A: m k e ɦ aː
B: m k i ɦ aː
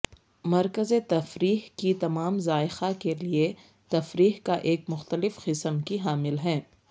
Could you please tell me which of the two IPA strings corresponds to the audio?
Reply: B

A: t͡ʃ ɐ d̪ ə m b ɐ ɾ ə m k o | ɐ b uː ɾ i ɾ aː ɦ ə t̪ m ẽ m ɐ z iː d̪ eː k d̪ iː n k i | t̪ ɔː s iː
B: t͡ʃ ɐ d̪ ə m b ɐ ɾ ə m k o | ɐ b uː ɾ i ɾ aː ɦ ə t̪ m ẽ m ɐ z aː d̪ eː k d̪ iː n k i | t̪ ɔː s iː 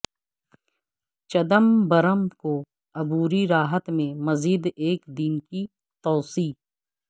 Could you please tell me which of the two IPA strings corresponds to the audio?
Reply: A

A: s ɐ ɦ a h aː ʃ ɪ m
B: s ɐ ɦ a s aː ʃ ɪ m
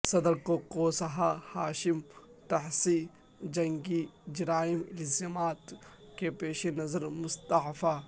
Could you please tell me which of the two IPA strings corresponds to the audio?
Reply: A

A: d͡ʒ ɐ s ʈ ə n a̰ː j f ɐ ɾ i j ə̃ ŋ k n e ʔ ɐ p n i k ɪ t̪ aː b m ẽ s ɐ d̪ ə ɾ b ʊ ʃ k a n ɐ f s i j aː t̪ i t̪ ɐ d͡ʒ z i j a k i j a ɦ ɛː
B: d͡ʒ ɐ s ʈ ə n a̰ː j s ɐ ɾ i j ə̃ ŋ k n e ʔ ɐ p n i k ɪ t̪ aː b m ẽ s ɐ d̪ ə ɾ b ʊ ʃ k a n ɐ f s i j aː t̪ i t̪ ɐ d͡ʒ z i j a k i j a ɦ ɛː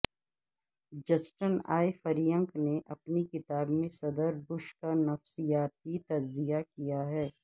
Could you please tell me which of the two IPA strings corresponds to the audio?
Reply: A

